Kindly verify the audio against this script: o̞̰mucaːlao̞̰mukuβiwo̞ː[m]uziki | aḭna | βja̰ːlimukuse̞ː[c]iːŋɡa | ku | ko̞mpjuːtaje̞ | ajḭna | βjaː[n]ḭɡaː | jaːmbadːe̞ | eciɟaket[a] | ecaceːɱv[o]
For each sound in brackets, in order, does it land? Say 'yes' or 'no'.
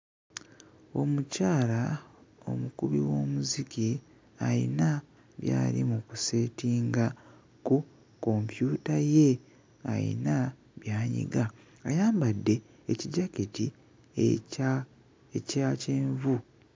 yes, no, no, no, no

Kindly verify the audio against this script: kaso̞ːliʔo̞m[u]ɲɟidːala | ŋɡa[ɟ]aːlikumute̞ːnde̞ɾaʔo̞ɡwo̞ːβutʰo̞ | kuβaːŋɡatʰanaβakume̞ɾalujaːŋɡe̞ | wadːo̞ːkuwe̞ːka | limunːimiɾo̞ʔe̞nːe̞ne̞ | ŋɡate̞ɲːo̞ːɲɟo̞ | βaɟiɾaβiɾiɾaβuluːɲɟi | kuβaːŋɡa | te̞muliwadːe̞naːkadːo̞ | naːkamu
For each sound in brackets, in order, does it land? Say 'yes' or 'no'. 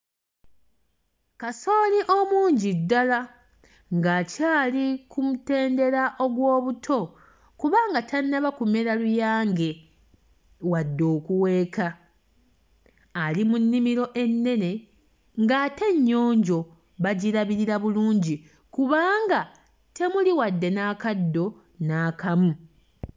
no, no

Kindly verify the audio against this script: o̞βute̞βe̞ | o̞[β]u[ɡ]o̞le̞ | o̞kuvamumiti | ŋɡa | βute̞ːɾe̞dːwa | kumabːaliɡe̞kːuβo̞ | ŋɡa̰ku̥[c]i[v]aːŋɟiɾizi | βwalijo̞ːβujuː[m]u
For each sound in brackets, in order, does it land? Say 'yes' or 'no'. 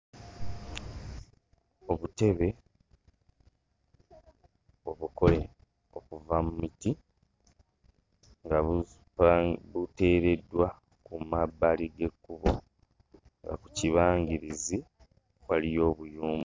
yes, no, yes, no, yes

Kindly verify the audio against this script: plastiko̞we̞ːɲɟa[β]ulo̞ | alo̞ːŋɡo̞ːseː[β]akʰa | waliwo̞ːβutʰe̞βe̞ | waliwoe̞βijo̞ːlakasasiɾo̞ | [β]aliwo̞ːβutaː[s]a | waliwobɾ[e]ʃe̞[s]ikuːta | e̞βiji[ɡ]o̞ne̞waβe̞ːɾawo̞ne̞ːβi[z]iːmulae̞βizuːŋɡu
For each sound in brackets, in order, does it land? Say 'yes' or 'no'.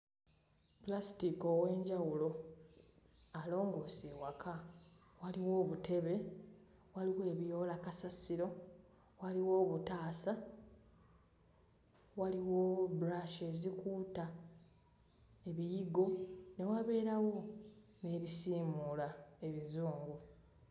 no, no, no, yes, no, no, yes, no

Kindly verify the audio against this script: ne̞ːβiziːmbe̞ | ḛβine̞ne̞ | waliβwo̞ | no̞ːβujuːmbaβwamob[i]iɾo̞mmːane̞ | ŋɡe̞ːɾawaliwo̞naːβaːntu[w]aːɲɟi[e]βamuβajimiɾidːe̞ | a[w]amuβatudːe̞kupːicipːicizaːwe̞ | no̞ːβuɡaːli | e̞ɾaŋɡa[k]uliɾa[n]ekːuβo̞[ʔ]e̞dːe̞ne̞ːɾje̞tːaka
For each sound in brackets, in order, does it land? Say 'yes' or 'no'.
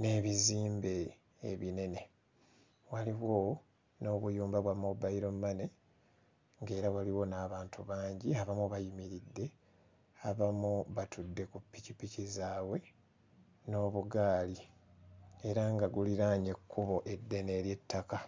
no, no, no, no, no, no, yes

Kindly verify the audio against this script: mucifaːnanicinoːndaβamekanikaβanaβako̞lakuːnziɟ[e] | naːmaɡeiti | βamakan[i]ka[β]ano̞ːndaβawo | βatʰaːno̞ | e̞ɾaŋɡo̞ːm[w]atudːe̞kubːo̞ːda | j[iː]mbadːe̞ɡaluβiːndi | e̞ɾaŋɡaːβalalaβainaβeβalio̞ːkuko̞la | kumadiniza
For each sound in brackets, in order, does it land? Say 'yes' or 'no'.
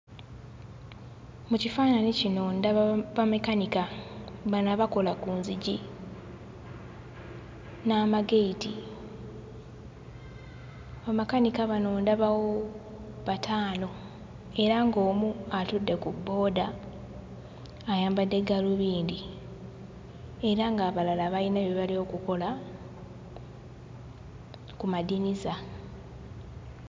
no, yes, yes, no, no

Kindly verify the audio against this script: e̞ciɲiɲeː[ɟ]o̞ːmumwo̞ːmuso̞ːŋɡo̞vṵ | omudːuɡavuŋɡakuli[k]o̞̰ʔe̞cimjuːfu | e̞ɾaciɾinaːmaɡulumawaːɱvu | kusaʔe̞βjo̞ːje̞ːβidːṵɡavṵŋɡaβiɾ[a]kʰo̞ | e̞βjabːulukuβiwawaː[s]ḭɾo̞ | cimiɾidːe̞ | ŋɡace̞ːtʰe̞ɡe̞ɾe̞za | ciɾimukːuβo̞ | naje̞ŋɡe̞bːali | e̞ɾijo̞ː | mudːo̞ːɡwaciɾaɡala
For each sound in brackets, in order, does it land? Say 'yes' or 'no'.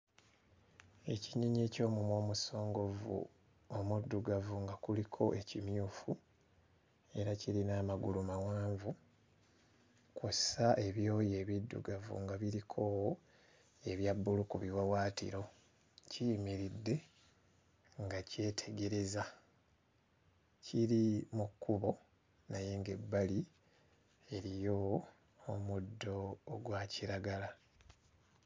no, no, no, no

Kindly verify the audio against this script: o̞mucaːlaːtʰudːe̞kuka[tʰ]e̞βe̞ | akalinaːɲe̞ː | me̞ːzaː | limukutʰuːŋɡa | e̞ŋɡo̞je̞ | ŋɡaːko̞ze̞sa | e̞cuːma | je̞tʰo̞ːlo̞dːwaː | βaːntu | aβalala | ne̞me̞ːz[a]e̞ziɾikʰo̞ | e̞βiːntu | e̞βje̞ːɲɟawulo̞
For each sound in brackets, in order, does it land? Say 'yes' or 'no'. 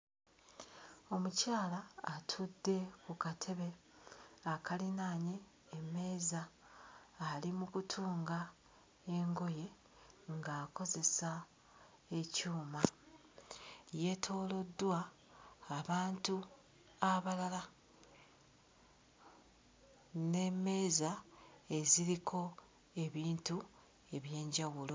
yes, yes

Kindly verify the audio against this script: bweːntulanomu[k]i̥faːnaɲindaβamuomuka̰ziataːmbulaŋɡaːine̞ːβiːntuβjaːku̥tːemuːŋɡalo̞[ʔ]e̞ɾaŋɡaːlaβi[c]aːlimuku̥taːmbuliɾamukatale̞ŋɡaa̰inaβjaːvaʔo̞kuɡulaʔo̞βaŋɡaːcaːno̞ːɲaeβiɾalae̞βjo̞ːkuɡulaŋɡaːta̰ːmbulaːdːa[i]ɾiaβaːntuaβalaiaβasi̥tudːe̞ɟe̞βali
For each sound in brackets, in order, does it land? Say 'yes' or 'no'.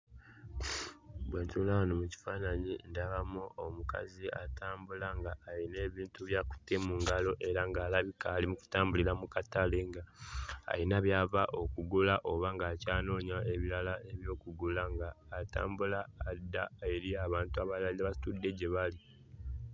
no, yes, no, no

